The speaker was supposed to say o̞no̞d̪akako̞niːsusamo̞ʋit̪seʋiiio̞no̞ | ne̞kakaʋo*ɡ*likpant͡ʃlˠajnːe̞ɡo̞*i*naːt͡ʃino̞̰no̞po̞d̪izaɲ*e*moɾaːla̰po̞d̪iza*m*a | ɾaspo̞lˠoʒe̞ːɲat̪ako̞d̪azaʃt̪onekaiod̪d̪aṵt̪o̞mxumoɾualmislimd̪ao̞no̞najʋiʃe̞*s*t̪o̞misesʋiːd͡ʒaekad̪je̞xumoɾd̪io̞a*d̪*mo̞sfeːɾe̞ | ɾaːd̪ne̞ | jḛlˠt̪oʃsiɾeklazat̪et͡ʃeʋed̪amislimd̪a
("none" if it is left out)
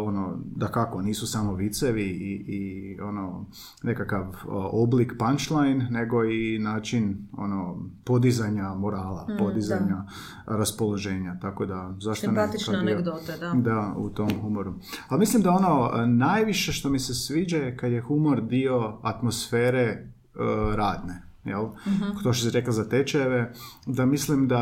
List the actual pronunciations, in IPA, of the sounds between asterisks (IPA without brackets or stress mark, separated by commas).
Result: b, i, a, ɲ, ʃ, t̪